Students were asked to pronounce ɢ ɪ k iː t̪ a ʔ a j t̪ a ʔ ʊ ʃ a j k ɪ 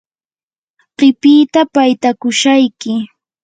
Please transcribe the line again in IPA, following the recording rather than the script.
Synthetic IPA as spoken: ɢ ɪ p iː t̪ a p a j t̪ a k ʊ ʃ a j k ɪ

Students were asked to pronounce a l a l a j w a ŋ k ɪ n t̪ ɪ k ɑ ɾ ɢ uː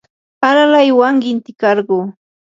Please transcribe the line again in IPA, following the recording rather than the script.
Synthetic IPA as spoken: a l a l a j w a ŋ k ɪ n t̪ ɪ k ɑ ɾ ɢ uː

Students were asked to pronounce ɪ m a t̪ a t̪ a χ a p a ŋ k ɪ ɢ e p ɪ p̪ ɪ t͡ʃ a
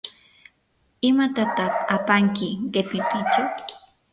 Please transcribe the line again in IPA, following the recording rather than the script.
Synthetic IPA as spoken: ɪ m a t̪ a t̪ a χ a p a ŋ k ɪ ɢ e p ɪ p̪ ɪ t͡ʃ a

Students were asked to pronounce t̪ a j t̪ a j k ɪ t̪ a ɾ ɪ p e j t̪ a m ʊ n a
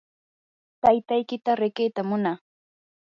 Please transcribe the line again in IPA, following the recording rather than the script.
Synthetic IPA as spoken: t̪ a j t̪ a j k ɪ t̪ a ɾ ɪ k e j t̪ a m ʊ n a

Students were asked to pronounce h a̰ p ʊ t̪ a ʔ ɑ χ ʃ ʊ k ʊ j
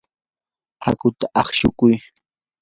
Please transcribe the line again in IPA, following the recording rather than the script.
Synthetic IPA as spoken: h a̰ k ʊ t̪ a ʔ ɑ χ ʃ ʊ k ʊ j

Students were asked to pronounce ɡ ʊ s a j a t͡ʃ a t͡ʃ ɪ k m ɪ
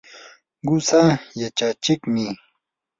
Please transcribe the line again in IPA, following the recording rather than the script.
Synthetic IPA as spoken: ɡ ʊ s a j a t͡ʃ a t͡ʃ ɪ k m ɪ

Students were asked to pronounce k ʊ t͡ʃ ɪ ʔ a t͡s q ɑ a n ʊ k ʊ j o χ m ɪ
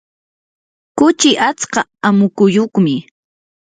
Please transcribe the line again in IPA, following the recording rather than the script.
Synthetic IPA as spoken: k ʊ t͡ʃ ɪ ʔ a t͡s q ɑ a m ʊ k ʊ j o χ m ɪ

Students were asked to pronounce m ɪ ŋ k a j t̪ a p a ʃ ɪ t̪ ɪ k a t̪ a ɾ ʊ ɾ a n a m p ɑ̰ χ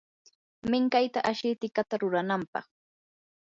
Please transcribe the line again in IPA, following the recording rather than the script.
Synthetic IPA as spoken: m ɪ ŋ k a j t̪ a ʔ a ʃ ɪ t̪ ɪ k a t̪ a ɾ ʊ ɾ a n a m p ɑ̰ χ

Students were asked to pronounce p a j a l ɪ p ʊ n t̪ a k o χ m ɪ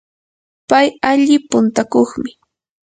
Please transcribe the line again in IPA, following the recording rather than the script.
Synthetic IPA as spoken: p a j a ʎ ɪ p ʊ n t̪ a k o χ m ɪ

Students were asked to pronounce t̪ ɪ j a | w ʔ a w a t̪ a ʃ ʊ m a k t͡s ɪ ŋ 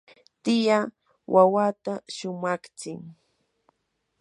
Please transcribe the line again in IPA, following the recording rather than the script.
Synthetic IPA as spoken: t̪ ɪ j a | w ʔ a w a t̪ a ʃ ʊ m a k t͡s ɪ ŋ

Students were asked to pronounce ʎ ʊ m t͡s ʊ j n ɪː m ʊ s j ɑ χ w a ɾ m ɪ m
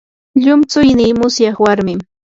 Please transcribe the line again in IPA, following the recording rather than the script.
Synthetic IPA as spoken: ʎ ʊ m t͡s ʊ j n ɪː m ʊ s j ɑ χ w a ɾ m ɪ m

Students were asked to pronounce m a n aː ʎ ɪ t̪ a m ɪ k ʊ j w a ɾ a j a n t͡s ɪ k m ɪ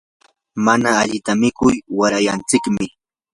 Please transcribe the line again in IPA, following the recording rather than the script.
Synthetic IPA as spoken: m a n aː ʎ ɪ t̪ a m ɪ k ʊ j w a ɾ a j a n t͡s ɪ k m ɪ

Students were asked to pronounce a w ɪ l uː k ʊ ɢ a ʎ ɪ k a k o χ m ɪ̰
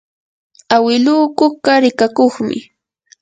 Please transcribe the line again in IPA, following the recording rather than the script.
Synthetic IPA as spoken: a w ɪ l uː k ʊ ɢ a ɾ ɪ k a k o χ m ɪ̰

